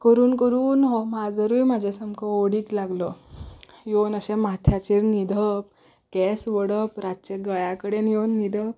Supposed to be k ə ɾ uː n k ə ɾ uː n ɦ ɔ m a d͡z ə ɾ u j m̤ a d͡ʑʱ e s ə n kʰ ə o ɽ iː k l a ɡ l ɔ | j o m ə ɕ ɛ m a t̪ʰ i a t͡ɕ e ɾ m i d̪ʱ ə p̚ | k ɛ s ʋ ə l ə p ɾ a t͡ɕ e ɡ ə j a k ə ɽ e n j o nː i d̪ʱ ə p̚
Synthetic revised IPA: k ə ɾ uː n k ə ɾ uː n ɦ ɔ m a d͡z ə ɾ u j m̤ a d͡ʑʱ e s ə m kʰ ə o ɽ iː k l a ɡ l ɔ | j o n ə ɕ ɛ m a t̪ʰ j a t͡ɕ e ɾ n i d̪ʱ ə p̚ | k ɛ s ʋ ə ɽ ə p ɾ a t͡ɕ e ɡ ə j a k ə ɽ e n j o nː i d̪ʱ ə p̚